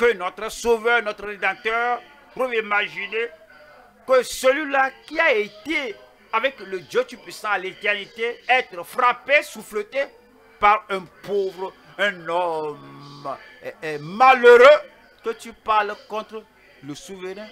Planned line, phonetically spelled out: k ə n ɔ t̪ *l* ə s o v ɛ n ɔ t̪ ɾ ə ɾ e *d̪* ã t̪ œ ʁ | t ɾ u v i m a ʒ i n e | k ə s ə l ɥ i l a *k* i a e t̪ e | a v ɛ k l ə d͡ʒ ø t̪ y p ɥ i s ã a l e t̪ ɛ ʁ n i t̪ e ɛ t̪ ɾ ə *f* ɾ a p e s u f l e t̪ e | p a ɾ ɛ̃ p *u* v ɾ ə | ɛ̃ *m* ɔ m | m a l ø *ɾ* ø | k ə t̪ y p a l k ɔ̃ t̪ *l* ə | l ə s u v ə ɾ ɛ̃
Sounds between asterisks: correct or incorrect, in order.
incorrect: ɾ, correct, correct, correct, incorrect: o, incorrect: n, correct, incorrect: ɾ

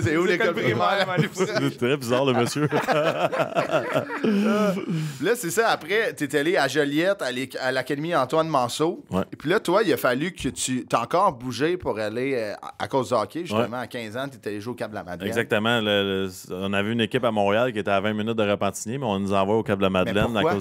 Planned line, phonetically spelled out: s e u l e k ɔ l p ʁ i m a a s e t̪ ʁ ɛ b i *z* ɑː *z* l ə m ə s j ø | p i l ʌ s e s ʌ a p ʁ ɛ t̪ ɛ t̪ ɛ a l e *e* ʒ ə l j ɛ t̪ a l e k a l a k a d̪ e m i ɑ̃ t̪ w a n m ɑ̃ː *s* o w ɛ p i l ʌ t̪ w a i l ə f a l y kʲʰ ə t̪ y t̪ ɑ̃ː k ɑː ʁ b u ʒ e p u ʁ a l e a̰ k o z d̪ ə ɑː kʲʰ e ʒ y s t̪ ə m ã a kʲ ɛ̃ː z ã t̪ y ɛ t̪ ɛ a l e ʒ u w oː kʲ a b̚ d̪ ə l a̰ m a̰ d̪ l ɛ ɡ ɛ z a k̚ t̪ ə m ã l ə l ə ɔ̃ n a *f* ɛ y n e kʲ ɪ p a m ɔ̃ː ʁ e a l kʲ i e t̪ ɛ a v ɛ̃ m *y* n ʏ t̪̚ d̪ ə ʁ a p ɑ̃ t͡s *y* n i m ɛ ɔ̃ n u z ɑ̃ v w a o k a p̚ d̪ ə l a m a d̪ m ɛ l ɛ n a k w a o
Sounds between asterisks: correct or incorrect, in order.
correct, incorrect: ʁ, incorrect: a, correct, incorrect: v, incorrect: i, incorrect: i

